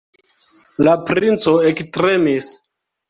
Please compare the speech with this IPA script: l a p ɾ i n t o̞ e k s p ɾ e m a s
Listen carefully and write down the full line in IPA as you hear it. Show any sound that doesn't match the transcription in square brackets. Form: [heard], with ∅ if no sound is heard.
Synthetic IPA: l a p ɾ i n [t͡s] o̞ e k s [t] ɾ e m [i] s